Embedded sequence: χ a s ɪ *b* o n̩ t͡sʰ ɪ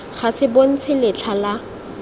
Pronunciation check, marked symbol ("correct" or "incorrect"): correct